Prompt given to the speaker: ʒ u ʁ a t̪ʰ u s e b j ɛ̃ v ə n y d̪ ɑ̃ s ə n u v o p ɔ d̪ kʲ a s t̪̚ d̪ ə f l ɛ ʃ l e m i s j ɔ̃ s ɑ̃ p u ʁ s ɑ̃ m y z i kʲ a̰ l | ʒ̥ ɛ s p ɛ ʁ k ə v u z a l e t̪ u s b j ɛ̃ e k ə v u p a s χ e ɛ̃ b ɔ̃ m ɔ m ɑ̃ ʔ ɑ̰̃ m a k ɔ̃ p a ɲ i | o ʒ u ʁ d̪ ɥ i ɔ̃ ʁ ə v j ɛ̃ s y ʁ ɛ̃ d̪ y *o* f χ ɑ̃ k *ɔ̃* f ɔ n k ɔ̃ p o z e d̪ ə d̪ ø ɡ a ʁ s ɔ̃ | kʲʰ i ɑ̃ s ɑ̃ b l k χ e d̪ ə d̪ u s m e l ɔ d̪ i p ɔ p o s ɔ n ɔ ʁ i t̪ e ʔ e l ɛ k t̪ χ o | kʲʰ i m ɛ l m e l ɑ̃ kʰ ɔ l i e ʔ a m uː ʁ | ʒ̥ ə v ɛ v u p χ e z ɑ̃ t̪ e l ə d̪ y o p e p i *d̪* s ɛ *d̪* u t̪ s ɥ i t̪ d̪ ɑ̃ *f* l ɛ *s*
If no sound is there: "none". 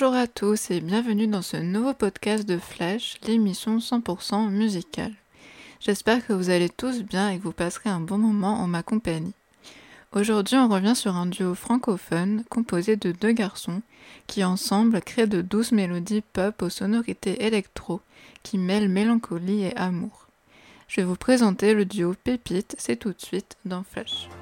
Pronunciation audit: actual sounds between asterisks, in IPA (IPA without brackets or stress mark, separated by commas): o, ɔ, t̪, t̪, f, ʃ